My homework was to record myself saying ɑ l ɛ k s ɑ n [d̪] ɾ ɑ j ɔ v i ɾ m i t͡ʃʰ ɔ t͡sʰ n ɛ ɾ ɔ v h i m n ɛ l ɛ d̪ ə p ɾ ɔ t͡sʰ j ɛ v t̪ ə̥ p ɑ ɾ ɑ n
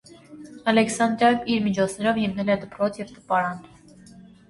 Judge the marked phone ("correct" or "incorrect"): correct